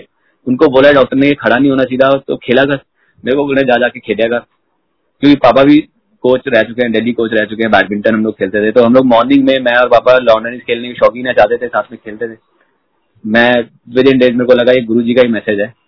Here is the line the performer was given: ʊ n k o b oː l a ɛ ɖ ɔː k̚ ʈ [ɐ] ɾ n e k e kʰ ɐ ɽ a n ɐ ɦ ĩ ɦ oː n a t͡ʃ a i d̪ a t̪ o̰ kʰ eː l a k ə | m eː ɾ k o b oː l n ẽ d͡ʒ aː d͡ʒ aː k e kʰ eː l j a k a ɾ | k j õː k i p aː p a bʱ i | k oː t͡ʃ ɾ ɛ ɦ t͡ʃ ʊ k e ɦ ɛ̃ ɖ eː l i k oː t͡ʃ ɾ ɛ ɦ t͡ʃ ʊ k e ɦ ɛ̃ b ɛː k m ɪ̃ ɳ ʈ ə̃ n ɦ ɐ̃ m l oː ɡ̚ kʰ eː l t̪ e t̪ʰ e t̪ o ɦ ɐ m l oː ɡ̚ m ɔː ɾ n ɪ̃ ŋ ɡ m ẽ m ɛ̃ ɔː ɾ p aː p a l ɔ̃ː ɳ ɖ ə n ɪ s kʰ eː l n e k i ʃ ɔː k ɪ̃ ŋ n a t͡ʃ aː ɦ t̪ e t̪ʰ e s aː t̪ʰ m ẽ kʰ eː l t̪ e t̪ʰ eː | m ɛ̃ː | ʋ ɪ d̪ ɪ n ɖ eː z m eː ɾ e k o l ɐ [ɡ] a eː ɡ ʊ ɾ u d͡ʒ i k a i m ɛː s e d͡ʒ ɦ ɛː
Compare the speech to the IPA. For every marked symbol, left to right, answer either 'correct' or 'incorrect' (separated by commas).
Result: incorrect, correct